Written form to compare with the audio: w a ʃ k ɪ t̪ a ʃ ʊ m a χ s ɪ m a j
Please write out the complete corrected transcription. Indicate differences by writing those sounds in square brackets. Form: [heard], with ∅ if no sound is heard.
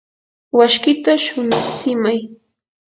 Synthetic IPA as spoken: w a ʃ k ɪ t̪ a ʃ ʊ [n] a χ s ɪ m a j